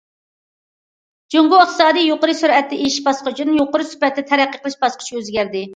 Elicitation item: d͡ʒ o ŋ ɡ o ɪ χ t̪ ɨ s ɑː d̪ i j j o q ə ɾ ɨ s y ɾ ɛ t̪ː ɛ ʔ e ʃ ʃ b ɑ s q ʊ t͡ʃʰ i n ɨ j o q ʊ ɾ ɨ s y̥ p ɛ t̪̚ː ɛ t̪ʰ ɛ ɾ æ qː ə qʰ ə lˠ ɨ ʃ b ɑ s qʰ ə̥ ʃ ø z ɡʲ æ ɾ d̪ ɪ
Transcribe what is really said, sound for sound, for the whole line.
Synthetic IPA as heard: d͡ʒ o ŋ ɡ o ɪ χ t̪ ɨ s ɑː d̪ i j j o q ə ɾ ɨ s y ɾ ɛ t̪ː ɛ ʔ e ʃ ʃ b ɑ s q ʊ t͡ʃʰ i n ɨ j o q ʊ ɾ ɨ s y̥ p ɛ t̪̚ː ɛ t̪ʰ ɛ ɾ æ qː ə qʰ ə lˠ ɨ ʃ b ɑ s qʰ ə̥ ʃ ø z ɡʲ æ ɾ d̪ ɪ